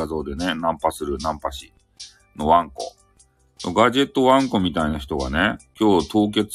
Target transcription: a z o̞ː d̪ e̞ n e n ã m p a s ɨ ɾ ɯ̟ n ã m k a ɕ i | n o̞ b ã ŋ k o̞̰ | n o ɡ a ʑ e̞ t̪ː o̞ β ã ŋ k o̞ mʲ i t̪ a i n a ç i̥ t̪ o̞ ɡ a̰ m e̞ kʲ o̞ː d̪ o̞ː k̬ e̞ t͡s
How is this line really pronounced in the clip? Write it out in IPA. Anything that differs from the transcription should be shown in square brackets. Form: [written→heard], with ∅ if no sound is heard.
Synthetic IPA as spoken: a z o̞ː d̪ e̞ n e n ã m p a s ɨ ɾ ɯ̟ n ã m [k→p] a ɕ i | n o̞ [b→β] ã ŋ k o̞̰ | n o ɡ a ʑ e̞ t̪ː o̞ β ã ŋ k o̞ mʲ i t̪ a i n a ç i̥ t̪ o̞ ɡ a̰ [m→n] e̞ kʲ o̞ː [d̪→t̪] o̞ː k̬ e̞ t͡s